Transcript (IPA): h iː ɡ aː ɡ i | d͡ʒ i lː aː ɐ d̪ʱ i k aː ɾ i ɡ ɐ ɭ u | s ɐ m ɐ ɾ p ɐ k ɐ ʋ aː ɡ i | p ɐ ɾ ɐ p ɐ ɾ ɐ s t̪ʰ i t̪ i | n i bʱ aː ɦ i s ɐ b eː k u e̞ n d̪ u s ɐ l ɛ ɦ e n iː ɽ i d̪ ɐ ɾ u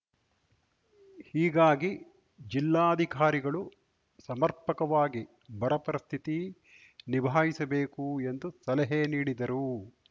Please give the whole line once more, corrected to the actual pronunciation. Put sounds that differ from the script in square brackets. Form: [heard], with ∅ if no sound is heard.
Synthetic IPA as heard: h iː ɡ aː ɡ i | d͡ʒ i lː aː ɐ d̪ʱ i k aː ɾ i ɡ ɐ ɭ u | s ɐ m ɐ ɾ p ɐ k ɐ ʋ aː ɡ i | [b] ɐ ɾ ɐ p ɐ ɾ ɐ s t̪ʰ i t̪ i | n i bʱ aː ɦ i s ɐ b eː k u e̞ n d̪ u s ɐ l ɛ ɦ e n iː ɽ i d̪ ɐ ɾ u